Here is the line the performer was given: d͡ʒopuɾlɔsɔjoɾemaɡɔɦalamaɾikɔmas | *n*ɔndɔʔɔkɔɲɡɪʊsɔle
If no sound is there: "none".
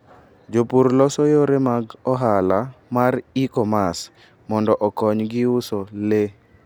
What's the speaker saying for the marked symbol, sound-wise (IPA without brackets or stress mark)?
m